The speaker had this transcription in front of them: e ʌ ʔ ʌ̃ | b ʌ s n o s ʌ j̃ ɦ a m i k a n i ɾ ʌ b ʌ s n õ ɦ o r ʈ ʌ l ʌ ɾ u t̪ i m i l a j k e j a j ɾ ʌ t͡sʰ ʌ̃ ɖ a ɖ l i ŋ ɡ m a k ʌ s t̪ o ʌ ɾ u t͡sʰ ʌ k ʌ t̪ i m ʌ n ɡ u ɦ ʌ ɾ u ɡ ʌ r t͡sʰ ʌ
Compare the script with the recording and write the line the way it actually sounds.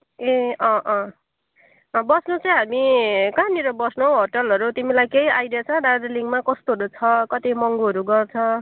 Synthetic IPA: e ʌ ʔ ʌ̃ | b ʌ s n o t͡s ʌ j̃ ɦ a m i k a n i ɾ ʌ b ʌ s n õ ɦ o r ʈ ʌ l ʌ ɾ u t̪ i m i l a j k e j a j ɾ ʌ t͡sʰ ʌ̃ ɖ a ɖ l i ŋ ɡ m a k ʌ s t̪ o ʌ ɾ u t͡sʰ ʌ k ʌ t̪ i m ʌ ŋ ɡ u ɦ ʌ ɾ u ɡ ʌ r t͡sʰ ʌ